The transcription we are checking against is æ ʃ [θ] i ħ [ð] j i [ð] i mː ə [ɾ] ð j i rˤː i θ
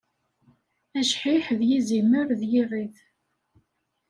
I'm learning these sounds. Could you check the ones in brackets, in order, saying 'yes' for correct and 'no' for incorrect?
no, yes, no, yes

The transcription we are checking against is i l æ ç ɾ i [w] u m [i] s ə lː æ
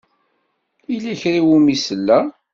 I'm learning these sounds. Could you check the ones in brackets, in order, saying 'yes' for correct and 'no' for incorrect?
yes, yes

